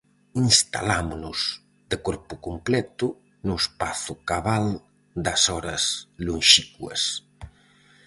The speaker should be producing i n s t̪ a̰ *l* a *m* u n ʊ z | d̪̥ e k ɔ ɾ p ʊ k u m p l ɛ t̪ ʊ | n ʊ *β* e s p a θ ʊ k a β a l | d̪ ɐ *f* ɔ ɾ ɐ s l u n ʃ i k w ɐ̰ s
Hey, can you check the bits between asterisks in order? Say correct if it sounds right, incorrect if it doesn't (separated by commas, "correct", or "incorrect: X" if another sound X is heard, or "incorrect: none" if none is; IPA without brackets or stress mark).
correct, correct, incorrect: none, incorrect: s